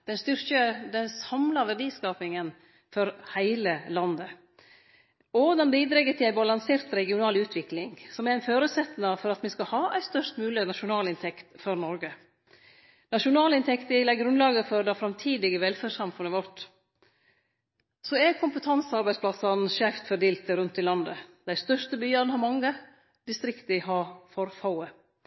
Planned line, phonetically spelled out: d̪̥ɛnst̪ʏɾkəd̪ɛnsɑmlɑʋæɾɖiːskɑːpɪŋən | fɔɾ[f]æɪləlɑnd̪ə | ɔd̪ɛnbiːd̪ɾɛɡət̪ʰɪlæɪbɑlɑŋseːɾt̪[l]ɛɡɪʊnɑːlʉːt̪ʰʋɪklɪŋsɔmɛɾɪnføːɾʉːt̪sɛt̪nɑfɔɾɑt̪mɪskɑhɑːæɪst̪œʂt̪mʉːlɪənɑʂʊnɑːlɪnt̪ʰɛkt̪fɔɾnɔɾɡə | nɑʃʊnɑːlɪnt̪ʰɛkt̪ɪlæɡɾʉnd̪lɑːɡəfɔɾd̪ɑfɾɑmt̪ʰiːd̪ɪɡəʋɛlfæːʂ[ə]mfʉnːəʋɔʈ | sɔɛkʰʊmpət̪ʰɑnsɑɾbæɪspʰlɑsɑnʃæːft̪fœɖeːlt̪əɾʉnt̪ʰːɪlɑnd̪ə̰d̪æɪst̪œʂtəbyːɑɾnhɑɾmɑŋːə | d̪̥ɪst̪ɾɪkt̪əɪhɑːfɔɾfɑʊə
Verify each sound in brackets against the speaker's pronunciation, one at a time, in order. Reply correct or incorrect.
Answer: incorrect: h, incorrect: ɾ, incorrect: ɑ

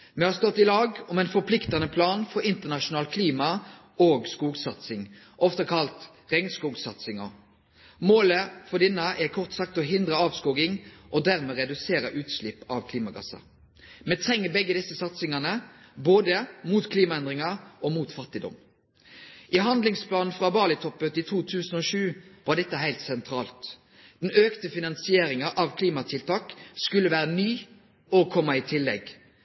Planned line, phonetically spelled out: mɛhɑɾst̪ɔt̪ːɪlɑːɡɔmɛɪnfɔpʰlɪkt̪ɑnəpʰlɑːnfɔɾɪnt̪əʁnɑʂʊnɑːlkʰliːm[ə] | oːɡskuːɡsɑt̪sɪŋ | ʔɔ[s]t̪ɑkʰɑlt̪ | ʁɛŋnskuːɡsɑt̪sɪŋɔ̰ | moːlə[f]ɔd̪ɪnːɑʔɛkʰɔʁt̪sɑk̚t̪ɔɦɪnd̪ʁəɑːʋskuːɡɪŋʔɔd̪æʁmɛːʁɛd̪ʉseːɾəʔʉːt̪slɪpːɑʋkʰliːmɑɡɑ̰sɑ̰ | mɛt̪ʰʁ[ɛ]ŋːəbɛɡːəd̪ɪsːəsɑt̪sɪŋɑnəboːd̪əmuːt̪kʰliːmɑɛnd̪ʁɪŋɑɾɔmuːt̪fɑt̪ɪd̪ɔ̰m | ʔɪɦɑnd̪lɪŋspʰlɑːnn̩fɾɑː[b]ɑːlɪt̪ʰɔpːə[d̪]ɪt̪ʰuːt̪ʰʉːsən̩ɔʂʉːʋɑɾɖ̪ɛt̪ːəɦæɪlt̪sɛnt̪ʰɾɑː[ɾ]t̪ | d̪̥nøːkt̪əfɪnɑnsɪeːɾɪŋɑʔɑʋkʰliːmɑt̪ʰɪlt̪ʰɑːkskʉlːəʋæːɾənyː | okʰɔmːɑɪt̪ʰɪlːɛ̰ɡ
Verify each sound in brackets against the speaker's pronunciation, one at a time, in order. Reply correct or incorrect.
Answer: incorrect: ɑ, incorrect: f, correct, correct, correct, incorrect: t̪, incorrect: l

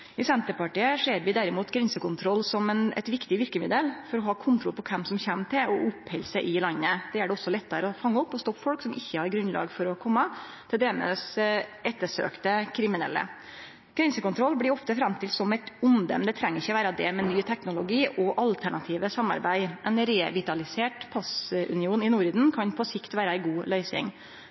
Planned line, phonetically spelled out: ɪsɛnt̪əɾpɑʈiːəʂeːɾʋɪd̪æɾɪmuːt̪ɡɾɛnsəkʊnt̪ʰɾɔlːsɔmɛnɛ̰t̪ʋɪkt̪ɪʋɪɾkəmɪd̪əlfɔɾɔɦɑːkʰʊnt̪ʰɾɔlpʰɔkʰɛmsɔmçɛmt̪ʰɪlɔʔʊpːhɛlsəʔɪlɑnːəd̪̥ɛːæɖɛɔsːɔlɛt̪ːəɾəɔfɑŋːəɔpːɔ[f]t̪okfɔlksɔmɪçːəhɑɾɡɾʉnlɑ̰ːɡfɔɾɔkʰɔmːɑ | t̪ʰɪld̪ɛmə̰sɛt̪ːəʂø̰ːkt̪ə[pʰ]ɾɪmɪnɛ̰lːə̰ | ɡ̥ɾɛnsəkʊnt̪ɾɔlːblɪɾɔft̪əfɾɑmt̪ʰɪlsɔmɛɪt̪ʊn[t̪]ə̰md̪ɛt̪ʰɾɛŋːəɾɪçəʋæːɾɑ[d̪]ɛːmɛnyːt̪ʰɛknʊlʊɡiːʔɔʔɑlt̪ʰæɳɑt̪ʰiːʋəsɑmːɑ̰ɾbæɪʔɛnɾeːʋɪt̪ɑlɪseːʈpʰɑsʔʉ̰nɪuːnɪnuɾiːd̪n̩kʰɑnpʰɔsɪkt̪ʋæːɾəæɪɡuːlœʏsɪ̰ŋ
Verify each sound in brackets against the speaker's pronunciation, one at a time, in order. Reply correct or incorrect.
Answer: incorrect: s, incorrect: kʰ, incorrect: d̪, correct

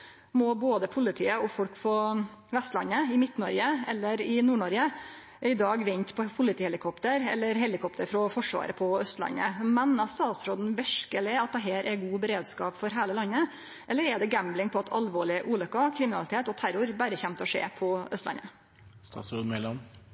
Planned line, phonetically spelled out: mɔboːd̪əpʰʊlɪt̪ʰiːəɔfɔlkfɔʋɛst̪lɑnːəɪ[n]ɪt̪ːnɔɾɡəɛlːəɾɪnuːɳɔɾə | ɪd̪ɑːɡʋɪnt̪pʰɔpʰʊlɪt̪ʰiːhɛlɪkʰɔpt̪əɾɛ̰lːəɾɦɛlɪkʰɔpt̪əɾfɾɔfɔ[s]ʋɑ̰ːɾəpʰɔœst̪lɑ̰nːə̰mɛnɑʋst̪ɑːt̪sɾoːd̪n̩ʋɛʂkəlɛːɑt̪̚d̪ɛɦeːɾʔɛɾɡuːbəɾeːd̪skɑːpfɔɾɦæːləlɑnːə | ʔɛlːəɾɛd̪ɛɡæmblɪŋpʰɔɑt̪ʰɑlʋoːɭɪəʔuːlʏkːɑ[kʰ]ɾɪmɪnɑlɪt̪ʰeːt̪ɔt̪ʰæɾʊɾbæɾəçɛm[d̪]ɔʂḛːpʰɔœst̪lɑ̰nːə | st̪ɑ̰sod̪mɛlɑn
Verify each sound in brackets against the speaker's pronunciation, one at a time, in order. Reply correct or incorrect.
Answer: incorrect: m, incorrect: ʂ, correct, incorrect: t̪

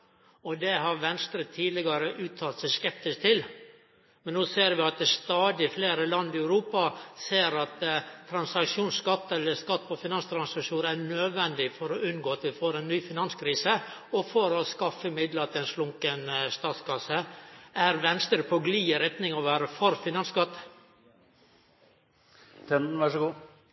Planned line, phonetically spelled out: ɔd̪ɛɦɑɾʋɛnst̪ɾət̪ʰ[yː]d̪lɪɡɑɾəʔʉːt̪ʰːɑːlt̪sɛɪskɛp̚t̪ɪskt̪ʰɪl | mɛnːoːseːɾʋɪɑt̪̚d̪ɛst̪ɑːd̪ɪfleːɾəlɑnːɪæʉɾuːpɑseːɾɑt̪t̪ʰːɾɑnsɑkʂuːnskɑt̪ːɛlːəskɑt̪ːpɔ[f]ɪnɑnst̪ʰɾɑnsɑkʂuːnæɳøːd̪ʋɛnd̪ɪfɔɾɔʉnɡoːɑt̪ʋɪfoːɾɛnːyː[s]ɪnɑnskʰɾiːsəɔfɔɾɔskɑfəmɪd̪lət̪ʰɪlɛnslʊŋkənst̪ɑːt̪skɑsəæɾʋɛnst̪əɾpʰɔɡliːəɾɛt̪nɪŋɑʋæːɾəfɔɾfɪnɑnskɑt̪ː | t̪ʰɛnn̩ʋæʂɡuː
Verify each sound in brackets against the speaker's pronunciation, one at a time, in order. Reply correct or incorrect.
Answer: incorrect: iː, correct, incorrect: f

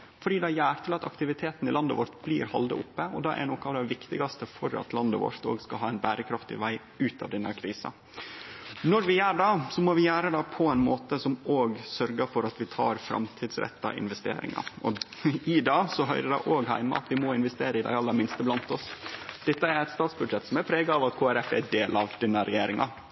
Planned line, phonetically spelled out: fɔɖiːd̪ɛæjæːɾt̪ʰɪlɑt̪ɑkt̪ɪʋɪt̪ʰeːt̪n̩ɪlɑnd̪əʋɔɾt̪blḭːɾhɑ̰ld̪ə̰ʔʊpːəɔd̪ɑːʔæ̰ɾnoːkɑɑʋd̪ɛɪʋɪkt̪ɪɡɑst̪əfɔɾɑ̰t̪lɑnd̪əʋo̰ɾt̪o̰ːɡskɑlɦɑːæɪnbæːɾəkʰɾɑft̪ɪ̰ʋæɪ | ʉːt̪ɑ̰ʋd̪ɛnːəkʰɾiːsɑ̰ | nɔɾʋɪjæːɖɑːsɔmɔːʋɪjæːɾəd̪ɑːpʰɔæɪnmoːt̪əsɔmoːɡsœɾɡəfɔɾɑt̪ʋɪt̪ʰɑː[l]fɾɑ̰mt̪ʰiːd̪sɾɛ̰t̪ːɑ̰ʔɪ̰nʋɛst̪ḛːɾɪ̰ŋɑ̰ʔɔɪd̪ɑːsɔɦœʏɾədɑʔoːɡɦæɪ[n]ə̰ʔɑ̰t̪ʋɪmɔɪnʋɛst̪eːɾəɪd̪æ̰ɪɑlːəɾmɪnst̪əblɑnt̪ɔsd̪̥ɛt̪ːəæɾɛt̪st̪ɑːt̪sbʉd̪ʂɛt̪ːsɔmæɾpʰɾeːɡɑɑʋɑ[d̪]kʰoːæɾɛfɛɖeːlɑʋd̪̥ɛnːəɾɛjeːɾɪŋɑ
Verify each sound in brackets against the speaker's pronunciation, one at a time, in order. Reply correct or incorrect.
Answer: incorrect: ɾ, incorrect: m, incorrect: t̪

